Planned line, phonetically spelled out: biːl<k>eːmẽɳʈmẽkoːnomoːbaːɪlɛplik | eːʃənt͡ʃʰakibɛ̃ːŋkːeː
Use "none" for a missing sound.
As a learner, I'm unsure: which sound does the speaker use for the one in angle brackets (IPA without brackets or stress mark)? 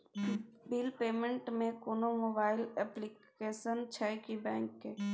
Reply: p